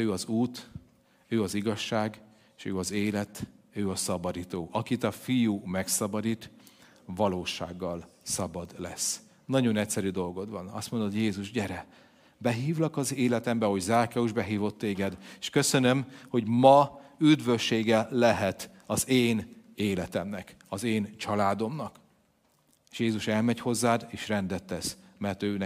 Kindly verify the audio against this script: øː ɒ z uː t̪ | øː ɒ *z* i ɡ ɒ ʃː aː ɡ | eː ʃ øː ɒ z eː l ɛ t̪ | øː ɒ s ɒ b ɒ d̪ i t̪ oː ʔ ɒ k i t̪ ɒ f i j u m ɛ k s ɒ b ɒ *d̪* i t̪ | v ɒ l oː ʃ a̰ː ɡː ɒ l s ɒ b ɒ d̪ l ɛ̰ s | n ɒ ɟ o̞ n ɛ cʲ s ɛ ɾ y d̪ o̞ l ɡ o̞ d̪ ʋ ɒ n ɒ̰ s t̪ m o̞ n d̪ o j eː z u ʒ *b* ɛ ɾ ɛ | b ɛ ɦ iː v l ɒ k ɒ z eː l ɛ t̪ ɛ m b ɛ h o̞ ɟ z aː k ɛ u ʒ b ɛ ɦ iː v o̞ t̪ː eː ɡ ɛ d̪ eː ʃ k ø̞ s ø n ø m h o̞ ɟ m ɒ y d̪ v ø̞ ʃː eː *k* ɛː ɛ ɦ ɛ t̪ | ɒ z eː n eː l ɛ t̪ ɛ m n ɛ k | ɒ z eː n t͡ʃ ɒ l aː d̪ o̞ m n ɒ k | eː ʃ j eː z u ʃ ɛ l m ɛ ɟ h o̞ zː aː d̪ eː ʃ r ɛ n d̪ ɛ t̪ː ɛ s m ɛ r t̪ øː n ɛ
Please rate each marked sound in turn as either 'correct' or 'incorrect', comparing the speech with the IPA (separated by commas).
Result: correct, correct, incorrect, incorrect